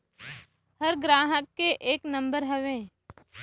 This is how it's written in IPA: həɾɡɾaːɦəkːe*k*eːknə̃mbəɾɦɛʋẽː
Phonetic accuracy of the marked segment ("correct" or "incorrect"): incorrect